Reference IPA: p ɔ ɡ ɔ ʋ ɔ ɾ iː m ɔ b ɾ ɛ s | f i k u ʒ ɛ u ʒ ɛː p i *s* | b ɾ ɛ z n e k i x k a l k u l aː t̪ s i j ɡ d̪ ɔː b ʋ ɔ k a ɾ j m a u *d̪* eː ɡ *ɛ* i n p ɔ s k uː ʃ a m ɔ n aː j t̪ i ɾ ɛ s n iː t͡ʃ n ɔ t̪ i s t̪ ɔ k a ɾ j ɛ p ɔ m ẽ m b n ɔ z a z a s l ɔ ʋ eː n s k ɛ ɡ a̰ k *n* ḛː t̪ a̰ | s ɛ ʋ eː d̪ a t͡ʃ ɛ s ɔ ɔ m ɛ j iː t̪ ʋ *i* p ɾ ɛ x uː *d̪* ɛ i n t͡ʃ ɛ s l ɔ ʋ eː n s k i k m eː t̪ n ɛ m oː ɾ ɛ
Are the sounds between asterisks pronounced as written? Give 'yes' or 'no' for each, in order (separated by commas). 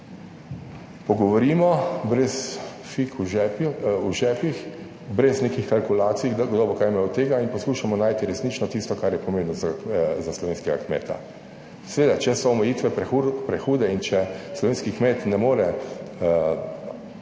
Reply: no, no, no, no, no, yes